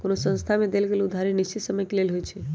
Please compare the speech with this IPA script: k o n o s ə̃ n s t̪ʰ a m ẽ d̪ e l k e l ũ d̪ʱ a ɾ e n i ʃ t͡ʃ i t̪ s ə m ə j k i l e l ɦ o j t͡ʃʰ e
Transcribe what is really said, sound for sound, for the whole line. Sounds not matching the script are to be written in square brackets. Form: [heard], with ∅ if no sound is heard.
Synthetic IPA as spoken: k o n o s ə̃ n s t̪ʰ a m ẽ d̪ e l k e l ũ d̪ʱ a ɾ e n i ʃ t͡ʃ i t̪ s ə m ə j k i l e l ɦ o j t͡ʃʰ e